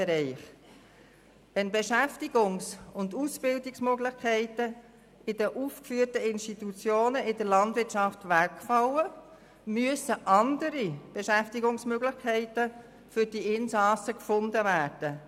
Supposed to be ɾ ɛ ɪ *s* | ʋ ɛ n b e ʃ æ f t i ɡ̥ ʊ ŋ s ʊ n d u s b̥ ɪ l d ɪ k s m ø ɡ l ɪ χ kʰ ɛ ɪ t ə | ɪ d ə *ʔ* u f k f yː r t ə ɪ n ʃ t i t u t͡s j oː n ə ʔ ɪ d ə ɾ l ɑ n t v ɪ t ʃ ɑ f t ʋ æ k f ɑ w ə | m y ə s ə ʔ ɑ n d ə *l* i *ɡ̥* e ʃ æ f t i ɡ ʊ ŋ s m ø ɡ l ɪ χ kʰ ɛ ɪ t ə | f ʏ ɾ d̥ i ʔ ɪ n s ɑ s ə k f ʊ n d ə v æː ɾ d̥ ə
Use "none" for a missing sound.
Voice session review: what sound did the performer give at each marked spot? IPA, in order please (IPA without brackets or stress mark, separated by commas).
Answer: χ, ʔ, ɾ, b̥